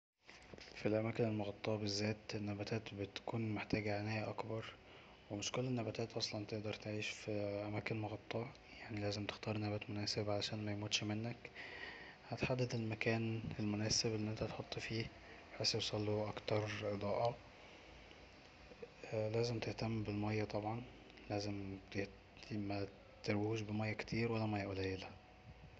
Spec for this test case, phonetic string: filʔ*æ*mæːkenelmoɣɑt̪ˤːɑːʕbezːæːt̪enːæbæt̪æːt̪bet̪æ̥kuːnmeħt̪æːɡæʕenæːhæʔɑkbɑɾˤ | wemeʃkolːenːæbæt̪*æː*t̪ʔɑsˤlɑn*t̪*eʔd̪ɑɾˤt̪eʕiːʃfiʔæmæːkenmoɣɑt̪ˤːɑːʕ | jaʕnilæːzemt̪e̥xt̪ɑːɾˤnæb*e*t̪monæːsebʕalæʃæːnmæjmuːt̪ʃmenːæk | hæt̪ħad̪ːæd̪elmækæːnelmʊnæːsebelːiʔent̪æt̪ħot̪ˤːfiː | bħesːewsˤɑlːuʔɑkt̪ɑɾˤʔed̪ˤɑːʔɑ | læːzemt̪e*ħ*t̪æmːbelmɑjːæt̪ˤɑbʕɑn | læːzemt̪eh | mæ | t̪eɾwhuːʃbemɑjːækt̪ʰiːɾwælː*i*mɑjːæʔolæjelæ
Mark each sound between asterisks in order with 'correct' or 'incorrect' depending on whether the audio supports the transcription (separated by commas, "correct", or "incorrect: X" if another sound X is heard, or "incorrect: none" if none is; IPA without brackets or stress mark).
correct, correct, correct, incorrect: æ, incorrect: h, incorrect: æ